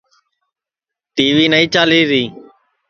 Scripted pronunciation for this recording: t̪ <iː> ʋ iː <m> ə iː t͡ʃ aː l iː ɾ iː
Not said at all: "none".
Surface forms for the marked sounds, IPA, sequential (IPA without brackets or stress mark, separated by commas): iː, n